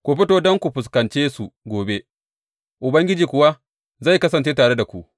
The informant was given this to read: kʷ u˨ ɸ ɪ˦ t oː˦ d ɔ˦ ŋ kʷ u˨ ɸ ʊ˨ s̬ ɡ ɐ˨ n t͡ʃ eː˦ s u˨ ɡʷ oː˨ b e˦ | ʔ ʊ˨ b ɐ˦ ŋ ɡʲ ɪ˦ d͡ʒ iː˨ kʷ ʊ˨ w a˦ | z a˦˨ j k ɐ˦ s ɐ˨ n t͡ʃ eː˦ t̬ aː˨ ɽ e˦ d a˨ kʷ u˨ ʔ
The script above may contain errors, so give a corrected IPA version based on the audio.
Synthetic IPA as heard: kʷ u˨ ɸ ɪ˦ t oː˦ d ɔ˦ ŋ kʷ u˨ ɸ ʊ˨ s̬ k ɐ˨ n t͡ʃ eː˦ s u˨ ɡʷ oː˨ b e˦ | ʔ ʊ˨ b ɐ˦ ŋ ɡʲ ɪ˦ d͡ʒ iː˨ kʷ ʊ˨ w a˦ | z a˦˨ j k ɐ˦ s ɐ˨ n t͡ʃ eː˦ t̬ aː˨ ɽ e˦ d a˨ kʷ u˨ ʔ